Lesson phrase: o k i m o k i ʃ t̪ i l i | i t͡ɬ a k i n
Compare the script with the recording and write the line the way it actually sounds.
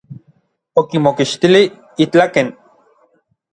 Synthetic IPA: o k i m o k i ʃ t̪ i l i | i t͡ɬ a k e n